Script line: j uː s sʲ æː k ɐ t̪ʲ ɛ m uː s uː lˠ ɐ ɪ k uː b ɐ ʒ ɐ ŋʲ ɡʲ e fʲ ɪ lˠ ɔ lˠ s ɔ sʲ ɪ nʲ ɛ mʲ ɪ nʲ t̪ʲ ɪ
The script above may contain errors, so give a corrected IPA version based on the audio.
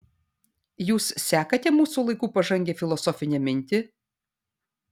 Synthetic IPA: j uː s sʲ æː k ɐ t̪ʲ ɛ m uː s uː lˠ ɐ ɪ k uː p ɐ ʒ ɐ ŋʲ ɡʲ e fʲ ɪ lˠ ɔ s ɔ fʲ ɪ nʲ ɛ mʲ ɪ nʲ t̪ʲ ɪ